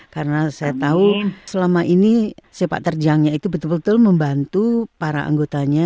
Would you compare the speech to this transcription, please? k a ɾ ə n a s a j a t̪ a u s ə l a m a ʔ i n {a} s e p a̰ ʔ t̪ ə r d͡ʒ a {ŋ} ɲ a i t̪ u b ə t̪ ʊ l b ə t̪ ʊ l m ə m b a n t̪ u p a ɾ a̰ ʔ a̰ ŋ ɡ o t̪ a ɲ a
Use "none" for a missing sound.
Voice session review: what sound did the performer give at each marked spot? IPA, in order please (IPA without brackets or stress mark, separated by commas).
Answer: i, ŋ